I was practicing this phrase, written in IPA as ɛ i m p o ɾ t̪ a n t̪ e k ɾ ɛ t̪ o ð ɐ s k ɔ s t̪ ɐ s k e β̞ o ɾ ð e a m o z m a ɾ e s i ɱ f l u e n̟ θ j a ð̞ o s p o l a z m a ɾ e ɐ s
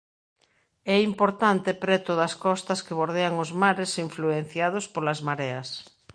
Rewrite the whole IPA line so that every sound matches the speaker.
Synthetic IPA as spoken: ɛ i m p o ɾ t̪ a n t̪ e p ɾ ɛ t̪ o ð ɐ s k ɔ s t̪ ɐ s k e β̞ o ɾ ð e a ŋ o z m a ɾ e s i ɱ f l u e n̟ θ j a ð̞ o s p o l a z m a ɾ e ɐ s